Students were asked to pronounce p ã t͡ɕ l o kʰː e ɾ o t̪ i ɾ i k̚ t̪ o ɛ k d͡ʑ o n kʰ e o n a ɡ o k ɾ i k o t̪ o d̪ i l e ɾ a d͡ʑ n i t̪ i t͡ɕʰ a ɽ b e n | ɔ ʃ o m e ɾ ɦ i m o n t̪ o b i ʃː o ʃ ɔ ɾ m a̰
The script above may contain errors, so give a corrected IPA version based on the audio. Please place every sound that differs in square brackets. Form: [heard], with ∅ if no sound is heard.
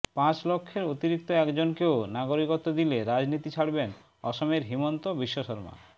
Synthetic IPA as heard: p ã t͡ɕ l o kʰː e ɾ o t̪ i ɾ i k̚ t̪ o ɛ k d͡ʑ o n [k] e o n a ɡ o [∅] ɾ i k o t̪ o d̪ i l e ɾ a d͡ʑ n i t̪ i t͡ɕʰ a ɽ b e n | ɔ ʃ o m e ɾ ɦ i m o n t̪ o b i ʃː o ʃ ɔ ɾ m a̰

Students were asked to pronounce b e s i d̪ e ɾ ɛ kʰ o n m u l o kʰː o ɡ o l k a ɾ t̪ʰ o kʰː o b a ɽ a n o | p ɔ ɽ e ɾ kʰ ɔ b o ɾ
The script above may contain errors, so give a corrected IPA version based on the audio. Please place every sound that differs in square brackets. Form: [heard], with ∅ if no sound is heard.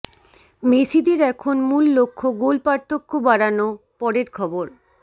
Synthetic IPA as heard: [m] e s i d̪ e ɾ ɛ kʰ o n m u [lː] o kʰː o ɡ o l [p] a ɾ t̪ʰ o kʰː o b a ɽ a n o | p ɔ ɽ e ɾ kʰ ɔ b o ɾ

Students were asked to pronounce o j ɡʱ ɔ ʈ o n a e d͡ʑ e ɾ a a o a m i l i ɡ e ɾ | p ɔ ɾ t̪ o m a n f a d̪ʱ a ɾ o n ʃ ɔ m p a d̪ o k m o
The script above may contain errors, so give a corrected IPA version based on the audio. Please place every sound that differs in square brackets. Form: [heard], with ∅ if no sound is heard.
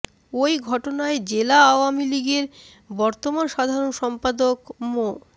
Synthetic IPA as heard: o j ɡʱ ɔ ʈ o n a e d͡ʑ e [l] a a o a m i l i ɡ e ɾ | [b] ɔ ɾ t̪ o m a n [ʃ] a d̪ʱ a ɾ o n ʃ ɔ m p a d̪ o k m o

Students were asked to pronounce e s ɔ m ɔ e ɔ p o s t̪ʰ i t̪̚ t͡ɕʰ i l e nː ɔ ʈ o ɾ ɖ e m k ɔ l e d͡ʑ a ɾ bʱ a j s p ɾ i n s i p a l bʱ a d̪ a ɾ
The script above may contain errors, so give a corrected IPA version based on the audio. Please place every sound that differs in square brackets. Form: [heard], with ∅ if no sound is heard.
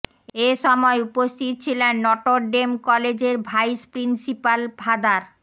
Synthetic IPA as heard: e [ʃ] ɔ m ɔ e [u] p o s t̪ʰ i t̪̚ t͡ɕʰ i l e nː ɔ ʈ o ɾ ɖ e m k ɔ l e d͡ʑ [e] ɾ bʱ a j s p ɾ i n s i p a l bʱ a d̪ a ɾ

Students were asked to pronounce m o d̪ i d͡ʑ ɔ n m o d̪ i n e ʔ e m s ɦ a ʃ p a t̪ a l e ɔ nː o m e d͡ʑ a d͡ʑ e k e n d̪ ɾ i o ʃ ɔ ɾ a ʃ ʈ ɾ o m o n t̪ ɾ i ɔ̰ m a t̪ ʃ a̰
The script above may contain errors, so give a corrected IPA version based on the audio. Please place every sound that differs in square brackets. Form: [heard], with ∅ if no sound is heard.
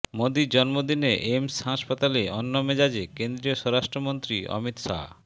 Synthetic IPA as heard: m o d̪ i d͡ʑ ɔ n m o d̪ i n e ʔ e m s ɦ a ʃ p a t̪ a l e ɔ nː o m e d͡ʑ a d͡ʑ e k e n d̪ ɾ i o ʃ ɔ ɾ a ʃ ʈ ɾ o m o n t̪ ɾ i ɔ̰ m [i] t̪ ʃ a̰

